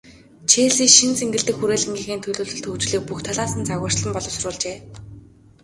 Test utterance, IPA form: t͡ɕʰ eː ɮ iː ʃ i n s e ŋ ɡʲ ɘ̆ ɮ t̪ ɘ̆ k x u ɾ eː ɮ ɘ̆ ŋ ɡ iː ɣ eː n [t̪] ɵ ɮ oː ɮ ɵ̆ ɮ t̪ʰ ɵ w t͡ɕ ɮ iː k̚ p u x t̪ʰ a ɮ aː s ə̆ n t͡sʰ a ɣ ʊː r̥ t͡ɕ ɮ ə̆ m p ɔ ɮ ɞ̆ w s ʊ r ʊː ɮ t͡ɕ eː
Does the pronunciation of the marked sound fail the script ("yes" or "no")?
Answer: yes